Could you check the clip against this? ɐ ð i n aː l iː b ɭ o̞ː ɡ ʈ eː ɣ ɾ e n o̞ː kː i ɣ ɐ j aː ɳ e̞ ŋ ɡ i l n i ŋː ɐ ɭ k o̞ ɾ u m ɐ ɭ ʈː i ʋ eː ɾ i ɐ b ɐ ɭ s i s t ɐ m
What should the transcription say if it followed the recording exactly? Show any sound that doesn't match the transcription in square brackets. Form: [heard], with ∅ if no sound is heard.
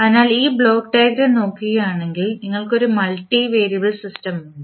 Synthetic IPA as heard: ɐ ð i n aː l iː b ɭ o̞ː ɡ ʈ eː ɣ ɾ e n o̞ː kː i ɣ ɐ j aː ɳ e̞ ŋ ɡ i l n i ŋː ɐ ɭ k o̞ ɾ u m ɐ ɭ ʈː i ʋ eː ɾ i ɐ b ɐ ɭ s i s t ɐ m